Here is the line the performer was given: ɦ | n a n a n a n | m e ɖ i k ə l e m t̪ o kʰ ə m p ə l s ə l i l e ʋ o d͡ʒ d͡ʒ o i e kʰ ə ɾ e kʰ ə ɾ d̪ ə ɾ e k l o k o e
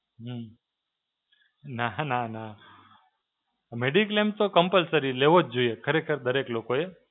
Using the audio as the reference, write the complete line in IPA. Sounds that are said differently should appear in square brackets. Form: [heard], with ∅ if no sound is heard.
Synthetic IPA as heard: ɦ | n a n a n a [∅] | m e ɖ i k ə l e m t̪ o [k] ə m p ə l s ə [ɾ] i l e ʋ o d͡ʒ d͡ʒ o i e kʰ ə ɾ e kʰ ə ɾ d̪ ə ɾ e k l o k o e

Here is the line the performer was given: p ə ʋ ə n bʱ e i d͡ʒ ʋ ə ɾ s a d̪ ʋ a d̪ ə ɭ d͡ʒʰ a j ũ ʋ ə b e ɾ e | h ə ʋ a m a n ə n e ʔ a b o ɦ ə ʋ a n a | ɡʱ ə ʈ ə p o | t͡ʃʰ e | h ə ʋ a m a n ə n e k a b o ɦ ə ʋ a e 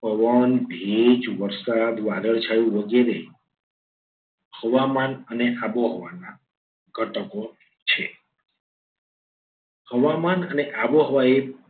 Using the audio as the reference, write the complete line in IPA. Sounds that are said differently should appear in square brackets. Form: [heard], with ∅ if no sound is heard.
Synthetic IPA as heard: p ə ʋ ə n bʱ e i d͡ʒ ʋ ə ɾ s a d̪ ʋ a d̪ ə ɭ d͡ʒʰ a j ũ ʋ ə [ɡ] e ɾ e | h ə ʋ a m a n ə n e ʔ a b o ɦ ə ʋ a n a | ɡʱ ə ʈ ə [k] o | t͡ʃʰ e | h ə ʋ a m a n ə n e [ʔ] a b o ɦ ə ʋ a e

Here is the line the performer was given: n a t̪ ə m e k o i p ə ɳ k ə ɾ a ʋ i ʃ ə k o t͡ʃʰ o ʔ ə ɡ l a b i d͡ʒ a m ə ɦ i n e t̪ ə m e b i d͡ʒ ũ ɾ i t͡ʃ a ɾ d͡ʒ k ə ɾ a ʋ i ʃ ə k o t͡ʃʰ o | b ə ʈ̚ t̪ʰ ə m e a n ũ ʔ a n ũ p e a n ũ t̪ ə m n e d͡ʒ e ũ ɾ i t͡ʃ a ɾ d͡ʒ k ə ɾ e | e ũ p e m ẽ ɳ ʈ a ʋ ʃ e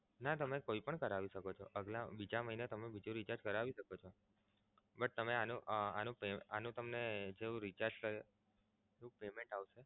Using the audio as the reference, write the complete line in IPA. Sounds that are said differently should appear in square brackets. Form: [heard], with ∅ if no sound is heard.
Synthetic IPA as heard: n a t̪ ə m e k o i p ə ɳ k ə ɾ a ʋ i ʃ ə k o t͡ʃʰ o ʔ ə ɡ l a b i d͡ʒ a m ə ɦ i n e t̪ ə m e b i d͡ʒ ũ ɾ i t͡ʃ a ɾ d͡ʒ k ə ɾ a ʋ i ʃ ə k o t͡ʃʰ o | b ə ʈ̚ [t̪] ə m e a n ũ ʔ a n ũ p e a n ũ t̪ ə m n e d͡ʒ e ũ ɾ i t͡ʃ a ɾ d͡ʒ k ə ɾ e | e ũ p e m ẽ ɳ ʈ a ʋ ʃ e

